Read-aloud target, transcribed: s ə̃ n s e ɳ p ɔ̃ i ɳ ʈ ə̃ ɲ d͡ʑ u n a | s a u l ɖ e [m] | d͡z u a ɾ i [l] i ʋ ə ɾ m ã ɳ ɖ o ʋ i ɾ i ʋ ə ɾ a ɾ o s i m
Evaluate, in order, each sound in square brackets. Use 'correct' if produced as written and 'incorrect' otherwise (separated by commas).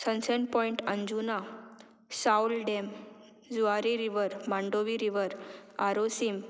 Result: correct, incorrect